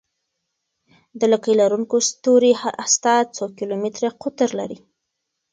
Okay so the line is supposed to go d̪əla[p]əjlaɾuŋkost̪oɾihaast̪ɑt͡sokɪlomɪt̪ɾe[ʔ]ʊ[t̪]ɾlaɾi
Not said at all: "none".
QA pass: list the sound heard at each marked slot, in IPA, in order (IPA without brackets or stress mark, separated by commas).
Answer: k, q, t̪